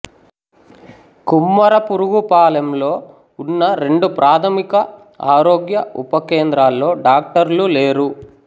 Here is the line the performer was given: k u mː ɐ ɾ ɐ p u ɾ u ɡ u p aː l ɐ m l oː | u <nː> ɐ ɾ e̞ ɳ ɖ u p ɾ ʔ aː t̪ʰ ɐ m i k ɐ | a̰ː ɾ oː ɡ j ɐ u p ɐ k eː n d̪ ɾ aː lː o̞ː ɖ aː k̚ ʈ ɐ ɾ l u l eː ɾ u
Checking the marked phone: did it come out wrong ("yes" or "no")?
no